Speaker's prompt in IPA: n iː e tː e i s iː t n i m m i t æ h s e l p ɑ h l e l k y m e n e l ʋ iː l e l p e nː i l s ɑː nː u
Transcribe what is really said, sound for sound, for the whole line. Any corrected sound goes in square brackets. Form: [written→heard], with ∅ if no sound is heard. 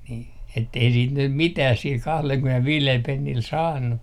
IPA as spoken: n iː e tː e i s iː t n [i→y] m m i t æ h s [e→i] l [p→k] ɑ h l e l k y m e n e l ʋ iː l e l p e nː i l s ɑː nː u